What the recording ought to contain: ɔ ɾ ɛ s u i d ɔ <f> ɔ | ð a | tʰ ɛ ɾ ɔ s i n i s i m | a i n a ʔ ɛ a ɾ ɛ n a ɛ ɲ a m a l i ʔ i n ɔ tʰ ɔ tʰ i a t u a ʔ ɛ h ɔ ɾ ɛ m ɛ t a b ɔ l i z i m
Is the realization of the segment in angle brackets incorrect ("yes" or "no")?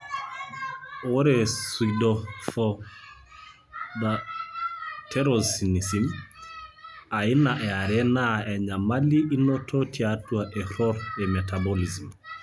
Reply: no